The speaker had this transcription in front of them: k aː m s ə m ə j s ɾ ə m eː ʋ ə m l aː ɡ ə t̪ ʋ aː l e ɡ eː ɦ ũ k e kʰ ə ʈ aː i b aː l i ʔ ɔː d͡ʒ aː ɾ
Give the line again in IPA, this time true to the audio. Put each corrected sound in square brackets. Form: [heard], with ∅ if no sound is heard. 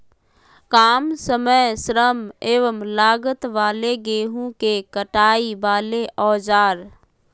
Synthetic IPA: k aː m s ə m ə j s ɾ ə m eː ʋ ə m l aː ɡ ə t̪ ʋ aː l e ɡ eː ɦ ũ k e [k] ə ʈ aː i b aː l [e] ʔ ɔː d͡ʒ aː ɾ